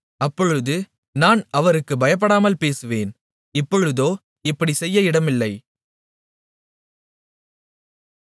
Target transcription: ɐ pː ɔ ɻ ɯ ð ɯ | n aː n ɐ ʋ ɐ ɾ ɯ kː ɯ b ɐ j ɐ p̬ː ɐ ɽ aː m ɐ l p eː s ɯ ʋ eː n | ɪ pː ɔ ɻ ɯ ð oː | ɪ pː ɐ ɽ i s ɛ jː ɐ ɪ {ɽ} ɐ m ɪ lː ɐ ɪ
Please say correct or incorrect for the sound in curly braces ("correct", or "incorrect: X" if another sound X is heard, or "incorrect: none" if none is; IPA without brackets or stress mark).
correct